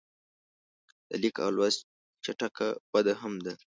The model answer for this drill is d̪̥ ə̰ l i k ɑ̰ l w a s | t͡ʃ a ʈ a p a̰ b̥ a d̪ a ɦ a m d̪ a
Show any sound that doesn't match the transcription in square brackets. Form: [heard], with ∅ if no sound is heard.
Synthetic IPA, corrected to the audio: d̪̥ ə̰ l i k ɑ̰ l w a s | t͡ʃ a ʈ a [k] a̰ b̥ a d̪ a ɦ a m d̪ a